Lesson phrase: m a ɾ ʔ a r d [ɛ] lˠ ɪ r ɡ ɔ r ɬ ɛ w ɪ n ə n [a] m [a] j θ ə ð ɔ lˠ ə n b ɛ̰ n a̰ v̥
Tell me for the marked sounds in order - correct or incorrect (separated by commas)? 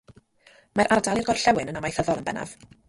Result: incorrect, correct, correct